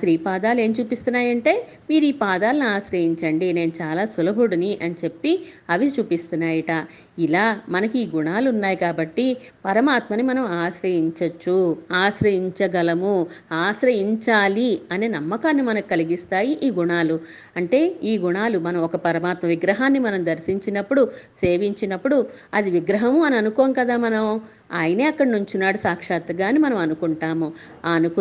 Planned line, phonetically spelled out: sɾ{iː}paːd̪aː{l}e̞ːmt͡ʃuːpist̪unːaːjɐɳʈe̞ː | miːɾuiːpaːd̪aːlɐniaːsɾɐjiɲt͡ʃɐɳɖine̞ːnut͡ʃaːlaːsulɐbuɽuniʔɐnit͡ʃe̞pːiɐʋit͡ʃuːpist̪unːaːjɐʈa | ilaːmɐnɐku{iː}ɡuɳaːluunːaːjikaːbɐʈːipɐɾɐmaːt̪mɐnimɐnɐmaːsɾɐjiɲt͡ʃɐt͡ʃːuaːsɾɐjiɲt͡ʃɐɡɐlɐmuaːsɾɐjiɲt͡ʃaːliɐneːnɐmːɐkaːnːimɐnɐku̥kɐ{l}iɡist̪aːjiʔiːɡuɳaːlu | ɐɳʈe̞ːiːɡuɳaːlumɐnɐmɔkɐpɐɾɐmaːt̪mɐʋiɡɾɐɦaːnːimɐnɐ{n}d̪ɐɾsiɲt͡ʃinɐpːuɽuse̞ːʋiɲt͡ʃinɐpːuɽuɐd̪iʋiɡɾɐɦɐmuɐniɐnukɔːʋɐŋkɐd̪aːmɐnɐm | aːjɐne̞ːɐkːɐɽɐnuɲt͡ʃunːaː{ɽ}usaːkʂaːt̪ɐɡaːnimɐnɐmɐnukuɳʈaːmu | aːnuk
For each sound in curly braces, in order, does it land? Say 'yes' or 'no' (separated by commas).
yes, yes, yes, yes, no, yes